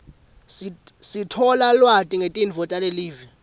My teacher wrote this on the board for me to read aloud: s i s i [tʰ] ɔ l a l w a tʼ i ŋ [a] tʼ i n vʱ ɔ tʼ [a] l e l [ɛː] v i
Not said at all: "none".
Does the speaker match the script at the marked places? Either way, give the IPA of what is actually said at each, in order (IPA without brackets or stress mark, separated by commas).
tʰ, e, a, iː